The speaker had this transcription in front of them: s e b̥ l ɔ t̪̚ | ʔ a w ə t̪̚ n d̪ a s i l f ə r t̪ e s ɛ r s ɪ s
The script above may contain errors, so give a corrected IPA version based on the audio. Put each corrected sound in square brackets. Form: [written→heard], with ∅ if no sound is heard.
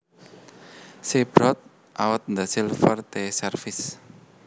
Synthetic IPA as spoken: s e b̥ [l→ɾ] ɔ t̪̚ | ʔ a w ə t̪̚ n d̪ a s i l f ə r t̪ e s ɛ r [s→f] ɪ s